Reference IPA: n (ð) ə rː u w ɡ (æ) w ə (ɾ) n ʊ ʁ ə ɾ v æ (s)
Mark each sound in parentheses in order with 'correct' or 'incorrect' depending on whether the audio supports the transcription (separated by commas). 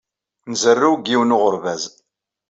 incorrect, incorrect, incorrect, incorrect